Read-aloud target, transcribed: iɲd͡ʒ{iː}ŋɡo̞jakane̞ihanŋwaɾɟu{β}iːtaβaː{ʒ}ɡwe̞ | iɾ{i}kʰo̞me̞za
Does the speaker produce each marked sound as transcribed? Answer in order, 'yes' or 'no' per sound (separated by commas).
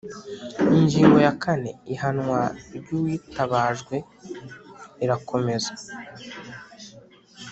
yes, no, yes, no